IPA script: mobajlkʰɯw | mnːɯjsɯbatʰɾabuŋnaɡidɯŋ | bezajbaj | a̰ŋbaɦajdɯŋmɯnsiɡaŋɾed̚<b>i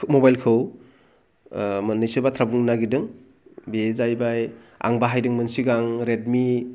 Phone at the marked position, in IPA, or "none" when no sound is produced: m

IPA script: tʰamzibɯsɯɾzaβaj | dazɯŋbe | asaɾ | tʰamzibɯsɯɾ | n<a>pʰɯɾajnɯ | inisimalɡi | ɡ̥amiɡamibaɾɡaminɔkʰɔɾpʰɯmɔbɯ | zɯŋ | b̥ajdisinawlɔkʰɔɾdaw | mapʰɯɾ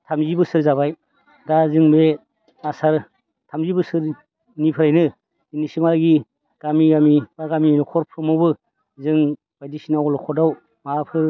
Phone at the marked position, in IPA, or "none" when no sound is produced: i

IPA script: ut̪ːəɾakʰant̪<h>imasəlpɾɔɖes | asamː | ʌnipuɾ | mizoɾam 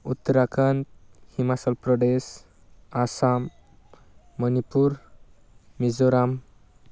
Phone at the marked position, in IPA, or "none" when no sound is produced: h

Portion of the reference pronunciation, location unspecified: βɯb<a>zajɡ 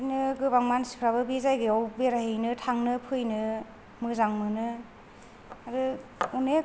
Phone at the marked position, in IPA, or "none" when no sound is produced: i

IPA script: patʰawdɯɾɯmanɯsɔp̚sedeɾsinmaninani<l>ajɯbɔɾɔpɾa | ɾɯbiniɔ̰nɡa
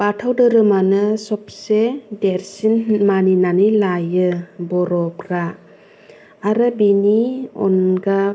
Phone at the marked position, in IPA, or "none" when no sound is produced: l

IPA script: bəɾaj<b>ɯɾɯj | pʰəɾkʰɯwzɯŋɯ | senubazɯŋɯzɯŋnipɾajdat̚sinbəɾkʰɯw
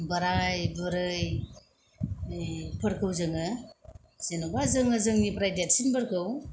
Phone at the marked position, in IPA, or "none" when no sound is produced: b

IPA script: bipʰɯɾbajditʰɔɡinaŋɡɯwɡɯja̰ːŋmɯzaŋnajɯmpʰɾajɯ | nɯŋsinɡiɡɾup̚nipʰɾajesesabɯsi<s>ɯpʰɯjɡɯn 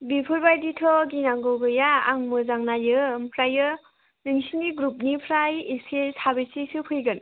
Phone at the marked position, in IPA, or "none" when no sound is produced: s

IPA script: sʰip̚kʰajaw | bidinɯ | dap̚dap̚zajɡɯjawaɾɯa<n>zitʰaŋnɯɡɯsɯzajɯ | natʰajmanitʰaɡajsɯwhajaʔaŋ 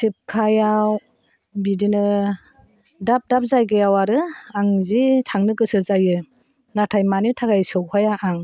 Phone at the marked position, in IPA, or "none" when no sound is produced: ŋ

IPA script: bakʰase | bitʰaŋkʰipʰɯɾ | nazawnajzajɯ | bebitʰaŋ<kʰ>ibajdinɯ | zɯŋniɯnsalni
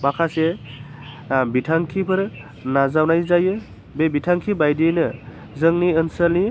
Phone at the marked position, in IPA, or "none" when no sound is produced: kʰ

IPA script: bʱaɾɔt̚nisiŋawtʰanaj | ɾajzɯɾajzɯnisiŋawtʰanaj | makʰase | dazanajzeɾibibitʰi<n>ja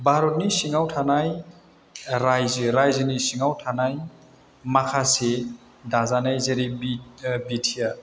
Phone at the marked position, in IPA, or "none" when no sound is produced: none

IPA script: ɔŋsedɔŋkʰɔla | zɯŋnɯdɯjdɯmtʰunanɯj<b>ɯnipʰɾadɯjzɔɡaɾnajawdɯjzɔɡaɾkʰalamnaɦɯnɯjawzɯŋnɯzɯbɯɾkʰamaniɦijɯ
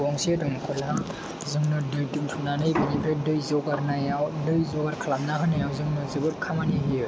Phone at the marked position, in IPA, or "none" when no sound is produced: b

